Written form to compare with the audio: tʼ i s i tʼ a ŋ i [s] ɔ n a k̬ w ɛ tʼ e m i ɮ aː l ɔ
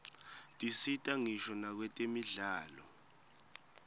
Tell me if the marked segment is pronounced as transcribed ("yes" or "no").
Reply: no